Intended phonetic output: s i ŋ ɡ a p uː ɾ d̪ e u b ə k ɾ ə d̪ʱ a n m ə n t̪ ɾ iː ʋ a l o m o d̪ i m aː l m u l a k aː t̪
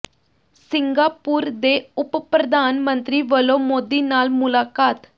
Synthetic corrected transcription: s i ŋ ɡ a p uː ɾ d̪ e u p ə p ɾ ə d̪ʱ a n m ə n t̪ ɾ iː ʋ ə l o m o d̪ i n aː l m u l a k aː t̪